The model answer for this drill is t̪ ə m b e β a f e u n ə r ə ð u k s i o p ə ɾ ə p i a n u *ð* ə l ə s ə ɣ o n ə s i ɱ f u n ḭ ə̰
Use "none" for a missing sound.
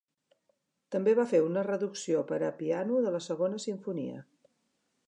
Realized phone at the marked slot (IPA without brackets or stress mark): ð